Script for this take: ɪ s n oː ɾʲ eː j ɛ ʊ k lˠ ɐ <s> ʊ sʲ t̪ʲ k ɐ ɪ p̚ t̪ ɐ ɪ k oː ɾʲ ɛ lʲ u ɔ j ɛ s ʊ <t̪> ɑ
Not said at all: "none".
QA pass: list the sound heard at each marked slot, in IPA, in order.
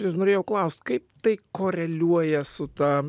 none, t̪

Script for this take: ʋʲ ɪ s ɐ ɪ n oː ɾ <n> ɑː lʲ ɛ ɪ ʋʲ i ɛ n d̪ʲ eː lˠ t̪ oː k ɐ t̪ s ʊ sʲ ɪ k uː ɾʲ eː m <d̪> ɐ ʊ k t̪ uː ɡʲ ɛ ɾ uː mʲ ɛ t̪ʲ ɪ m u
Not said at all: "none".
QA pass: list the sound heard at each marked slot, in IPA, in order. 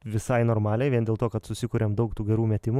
m, d̪

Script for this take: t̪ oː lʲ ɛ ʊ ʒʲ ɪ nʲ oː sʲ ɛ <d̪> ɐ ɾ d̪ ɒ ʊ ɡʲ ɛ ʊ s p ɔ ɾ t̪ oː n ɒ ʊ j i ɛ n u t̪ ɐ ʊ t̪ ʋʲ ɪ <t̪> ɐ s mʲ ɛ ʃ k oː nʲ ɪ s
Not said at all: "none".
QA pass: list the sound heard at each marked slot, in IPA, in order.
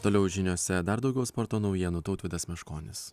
d̪, d̪

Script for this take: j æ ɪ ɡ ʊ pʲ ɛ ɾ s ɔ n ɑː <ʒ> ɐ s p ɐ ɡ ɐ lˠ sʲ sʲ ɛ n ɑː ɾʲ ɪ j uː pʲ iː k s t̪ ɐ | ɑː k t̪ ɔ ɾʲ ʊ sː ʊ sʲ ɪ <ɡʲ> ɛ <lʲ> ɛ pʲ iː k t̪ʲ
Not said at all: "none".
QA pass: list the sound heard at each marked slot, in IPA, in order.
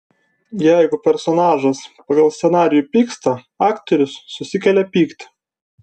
ʒ, kʲ, lʲ

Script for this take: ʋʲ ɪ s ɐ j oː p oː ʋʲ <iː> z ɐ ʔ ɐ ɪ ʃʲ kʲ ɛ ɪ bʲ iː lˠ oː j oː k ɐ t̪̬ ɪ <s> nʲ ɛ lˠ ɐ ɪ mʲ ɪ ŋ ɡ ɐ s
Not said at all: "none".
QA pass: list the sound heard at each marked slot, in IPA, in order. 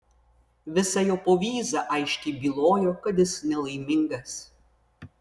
iː, s

